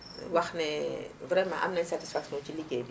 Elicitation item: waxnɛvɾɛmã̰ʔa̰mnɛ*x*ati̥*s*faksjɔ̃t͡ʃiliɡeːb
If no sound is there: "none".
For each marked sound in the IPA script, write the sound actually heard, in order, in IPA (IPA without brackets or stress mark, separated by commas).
s, s